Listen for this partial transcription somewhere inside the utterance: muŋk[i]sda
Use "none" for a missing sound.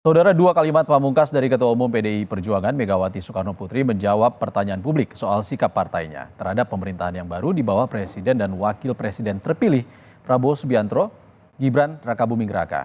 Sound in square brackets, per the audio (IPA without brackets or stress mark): a